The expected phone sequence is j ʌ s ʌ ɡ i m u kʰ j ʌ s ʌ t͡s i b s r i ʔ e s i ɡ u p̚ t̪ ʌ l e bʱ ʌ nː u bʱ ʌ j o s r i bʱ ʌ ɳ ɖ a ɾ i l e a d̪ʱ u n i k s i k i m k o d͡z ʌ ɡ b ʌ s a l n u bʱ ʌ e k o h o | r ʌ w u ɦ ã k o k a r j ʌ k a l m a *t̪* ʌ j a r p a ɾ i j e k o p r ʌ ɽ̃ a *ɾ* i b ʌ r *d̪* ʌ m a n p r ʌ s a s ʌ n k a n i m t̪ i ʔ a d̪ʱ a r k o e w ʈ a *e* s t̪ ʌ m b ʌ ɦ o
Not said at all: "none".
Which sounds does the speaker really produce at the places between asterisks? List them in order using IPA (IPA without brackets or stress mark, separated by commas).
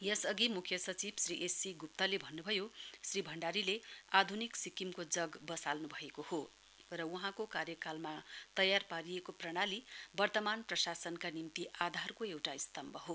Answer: t̪, l, t̪, i